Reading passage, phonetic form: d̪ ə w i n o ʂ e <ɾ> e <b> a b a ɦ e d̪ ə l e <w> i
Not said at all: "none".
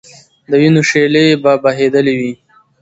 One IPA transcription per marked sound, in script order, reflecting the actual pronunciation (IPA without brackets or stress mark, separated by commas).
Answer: l, b, w